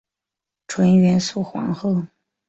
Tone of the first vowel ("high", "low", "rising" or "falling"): rising